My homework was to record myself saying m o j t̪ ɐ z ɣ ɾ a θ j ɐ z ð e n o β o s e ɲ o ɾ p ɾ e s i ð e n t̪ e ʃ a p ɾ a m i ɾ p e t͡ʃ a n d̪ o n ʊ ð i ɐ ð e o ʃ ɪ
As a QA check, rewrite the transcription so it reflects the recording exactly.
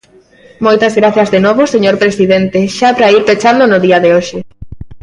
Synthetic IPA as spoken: m o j t̪ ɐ z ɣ ɾ a θ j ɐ z ð e n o β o s e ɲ o ɾ p ɾ e s i ð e n t̪ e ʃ a p ɾ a i ɾ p e t͡ʃ a n d̪ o n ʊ ð i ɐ ð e o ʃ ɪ